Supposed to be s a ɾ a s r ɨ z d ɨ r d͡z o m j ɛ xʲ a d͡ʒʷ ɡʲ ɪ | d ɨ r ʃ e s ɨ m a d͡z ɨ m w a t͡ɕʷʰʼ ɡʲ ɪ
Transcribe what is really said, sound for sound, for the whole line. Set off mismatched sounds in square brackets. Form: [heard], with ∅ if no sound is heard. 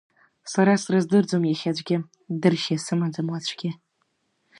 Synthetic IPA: s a ɾ a s r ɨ z d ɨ r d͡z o m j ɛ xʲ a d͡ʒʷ ɡʲ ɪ | d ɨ r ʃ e s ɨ m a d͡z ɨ m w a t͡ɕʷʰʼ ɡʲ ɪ